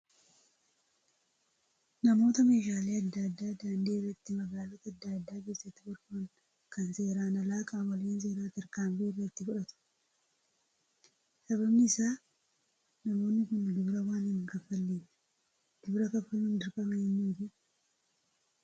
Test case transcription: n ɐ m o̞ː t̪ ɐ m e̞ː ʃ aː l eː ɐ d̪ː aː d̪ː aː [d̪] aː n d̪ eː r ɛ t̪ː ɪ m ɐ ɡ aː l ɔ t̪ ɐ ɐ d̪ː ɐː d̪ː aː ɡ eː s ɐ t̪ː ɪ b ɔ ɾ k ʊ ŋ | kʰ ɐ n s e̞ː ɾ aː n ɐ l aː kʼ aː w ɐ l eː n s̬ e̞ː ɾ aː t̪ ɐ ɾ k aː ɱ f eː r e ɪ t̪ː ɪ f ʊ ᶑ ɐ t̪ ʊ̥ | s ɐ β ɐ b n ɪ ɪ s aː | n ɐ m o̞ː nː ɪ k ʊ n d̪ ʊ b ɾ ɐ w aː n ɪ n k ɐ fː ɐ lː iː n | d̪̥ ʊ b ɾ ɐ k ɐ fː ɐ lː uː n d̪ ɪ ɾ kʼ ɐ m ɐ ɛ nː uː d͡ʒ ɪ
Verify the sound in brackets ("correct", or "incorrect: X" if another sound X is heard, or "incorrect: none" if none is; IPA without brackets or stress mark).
correct